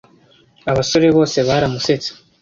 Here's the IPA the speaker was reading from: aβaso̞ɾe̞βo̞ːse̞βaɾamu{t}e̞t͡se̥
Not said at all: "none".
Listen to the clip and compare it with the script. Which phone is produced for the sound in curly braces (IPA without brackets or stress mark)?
s